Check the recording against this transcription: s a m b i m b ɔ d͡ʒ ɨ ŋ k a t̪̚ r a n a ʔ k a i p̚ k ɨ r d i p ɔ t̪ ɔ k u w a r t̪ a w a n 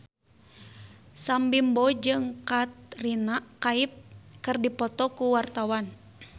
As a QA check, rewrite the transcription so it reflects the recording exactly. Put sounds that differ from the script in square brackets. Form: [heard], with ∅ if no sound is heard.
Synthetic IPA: s a m b i m b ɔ d͡ʒ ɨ ŋ k a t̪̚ r [i] n a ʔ k a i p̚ k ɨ r d i p ɔ t̪ ɔ k u w a r t̪ a w a n

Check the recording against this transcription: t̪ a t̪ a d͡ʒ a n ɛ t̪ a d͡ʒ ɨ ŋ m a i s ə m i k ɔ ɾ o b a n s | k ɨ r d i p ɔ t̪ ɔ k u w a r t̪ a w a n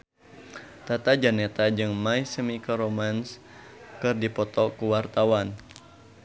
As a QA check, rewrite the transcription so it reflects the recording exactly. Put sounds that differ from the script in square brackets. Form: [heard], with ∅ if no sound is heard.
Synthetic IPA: t̪ a t̪ a d͡ʒ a n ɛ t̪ a d͡ʒ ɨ ŋ m a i s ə m i k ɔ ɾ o [m] a n s | k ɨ r d i p ɔ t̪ ɔ k u w a r t̪ a w a n

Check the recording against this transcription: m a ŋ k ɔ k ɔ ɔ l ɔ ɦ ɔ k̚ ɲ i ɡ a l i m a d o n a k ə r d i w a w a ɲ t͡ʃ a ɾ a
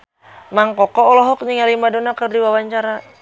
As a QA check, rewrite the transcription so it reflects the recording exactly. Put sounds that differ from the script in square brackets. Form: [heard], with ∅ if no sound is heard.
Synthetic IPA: m a ŋ k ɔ k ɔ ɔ l ɔ ɦ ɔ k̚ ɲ i [ŋ] a l i m a d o n a k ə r d i w a w a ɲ t͡ʃ a ɾ a

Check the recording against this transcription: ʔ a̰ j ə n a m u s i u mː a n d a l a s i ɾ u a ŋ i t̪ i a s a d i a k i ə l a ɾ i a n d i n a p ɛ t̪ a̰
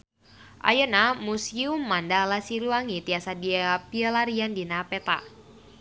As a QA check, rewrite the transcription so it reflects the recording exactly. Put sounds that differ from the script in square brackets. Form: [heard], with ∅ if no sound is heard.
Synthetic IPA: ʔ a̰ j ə n a m u s i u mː a n d a l a s i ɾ u a ŋ i t̪ i a s a d i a [p] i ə l a ɾ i a n d i n a p ɛ t̪ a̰

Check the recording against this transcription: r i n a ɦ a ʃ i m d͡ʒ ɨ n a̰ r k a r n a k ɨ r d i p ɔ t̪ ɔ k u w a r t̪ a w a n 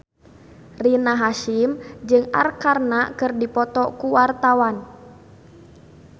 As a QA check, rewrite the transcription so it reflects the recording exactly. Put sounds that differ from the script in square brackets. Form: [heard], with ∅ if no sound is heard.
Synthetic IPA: r i n a ɦ a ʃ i m d͡ʒ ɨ [ŋ] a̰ r k a r n a k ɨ r d i p ɔ t̪ ɔ k u w a r t̪ a w a n

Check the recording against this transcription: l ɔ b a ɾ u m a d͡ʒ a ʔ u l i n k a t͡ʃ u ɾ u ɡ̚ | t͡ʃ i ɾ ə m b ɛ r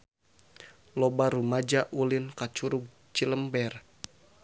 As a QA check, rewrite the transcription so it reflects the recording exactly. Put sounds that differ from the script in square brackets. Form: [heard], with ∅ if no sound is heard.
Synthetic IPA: l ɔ b a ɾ u m a d͡ʒ a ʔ u l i n k a t͡ʃ u ɾ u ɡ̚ | t͡ʃ i [l] ə m b ɛ r

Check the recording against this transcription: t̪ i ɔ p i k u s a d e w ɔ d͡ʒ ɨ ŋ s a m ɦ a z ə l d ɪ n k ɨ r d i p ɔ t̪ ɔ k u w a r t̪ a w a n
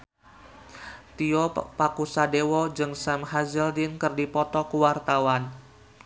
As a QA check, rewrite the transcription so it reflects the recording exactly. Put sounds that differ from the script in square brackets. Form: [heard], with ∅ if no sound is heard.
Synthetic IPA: t̪ i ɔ p [a] k u s a d e w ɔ d͡ʒ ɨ ŋ s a m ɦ a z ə l d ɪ n k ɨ r d i p ɔ t̪ ɔ k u w a r t̪ a w a n

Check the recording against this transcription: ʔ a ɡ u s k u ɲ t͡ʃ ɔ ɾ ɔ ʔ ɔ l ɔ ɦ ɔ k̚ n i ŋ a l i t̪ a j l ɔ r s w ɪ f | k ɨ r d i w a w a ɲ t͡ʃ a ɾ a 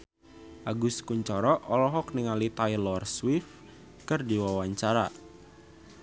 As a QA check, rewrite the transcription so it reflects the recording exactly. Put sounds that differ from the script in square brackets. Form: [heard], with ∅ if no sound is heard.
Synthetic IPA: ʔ a ɡ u s k u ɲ t͡ʃ ɔ ɾ ɔ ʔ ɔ l ɔ ɦ ɔ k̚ n i ŋ a l i t̪ a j l ɔ r s w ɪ f | k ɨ r d i w a w a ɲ t͡ʃ a ɾ a

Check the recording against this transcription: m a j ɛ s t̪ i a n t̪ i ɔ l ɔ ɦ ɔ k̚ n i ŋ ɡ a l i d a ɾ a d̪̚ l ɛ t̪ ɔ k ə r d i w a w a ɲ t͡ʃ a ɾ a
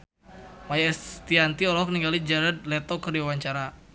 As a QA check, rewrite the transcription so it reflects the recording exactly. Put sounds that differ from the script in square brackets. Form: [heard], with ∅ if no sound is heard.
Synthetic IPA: m a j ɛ s t̪ i a n t̪ i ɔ l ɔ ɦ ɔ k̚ n i ŋ ɡ a l i [d͡ʒ] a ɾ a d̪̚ l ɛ t̪ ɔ k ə r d i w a w a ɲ t͡ʃ a ɾ a

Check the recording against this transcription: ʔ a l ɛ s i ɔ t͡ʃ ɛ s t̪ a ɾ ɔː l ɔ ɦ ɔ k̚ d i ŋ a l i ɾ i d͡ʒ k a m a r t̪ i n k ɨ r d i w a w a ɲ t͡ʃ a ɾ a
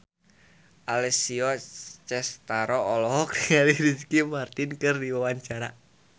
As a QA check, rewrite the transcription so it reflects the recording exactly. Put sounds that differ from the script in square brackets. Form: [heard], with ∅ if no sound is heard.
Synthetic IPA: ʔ a l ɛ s i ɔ t͡ʃ ɛ s t̪ a ɾ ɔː l ɔ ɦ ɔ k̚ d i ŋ a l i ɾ i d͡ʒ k [i] m a r t̪ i n k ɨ r d i w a w a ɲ t͡ʃ a ɾ a

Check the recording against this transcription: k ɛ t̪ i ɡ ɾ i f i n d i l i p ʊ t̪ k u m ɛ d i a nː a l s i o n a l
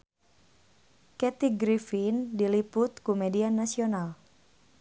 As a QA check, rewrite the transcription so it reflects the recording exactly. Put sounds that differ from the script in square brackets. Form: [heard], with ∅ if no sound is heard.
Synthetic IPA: k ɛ t̪ i ɡ ɾ i f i n d i l i p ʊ t̪ k u m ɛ d i a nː a [∅] s i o n a l

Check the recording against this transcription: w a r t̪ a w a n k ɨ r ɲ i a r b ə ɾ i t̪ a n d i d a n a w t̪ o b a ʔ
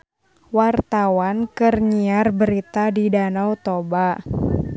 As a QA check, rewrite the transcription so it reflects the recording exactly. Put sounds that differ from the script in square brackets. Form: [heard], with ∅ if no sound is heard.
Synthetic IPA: w a r t̪ a w a n k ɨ r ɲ i a r b ə ɾ i t̪ a [∅] d i d a n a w t̪ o b a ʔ

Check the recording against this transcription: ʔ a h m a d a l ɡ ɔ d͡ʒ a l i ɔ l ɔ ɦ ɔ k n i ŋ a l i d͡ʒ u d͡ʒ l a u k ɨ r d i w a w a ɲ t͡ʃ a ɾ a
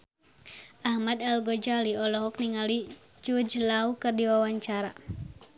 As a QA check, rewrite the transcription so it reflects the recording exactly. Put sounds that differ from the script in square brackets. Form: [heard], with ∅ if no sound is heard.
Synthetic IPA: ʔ a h m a d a l ɡ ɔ d͡ʒ a l i ɔ l ɔ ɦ ɔ k n i ŋ a l i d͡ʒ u d͡ʒ l a u k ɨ r d i w a w a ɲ t͡ʃ a ɾ a

